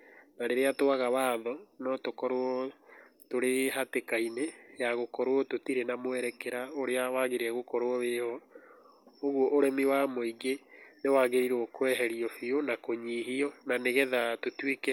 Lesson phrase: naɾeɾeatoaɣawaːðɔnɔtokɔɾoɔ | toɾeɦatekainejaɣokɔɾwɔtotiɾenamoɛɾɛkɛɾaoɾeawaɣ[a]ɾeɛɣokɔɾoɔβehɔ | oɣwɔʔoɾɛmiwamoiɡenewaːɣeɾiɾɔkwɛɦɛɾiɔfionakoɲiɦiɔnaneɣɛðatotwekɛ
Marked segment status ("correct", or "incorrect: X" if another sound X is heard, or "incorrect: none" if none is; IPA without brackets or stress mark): incorrect: e